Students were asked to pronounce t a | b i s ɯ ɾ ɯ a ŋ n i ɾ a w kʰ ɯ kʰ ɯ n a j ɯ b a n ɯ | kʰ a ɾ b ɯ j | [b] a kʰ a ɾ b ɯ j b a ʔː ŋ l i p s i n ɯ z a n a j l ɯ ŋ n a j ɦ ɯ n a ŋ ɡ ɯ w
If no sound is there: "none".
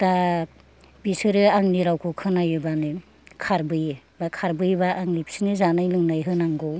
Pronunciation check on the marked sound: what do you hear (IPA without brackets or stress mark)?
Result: b